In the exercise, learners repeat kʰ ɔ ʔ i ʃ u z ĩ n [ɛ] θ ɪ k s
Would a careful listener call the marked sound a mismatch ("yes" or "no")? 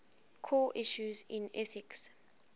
no